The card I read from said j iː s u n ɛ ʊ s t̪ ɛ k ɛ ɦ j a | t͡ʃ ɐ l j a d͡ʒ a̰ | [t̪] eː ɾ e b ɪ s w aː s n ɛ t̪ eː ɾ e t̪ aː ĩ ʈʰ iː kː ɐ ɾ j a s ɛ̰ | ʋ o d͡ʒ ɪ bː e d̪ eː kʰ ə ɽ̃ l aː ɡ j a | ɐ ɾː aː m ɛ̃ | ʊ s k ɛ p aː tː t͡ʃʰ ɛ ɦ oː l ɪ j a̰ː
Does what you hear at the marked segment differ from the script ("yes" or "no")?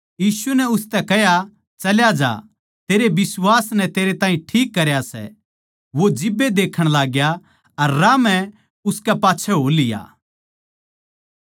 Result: no